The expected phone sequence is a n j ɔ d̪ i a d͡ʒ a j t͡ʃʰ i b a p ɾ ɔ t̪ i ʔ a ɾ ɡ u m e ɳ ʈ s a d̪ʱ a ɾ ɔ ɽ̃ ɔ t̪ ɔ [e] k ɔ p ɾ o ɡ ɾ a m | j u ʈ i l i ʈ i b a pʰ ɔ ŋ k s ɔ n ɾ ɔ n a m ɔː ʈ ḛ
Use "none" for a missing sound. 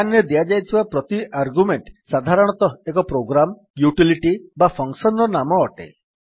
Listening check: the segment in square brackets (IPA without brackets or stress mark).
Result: e